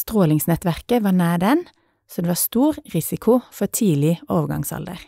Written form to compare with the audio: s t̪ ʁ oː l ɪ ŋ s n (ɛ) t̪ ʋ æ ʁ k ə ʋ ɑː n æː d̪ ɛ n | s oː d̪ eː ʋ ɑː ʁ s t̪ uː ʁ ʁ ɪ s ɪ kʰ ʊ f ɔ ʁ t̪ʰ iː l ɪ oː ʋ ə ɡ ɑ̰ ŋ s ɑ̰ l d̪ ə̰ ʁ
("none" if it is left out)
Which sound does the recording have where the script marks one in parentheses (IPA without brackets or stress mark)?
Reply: ɛ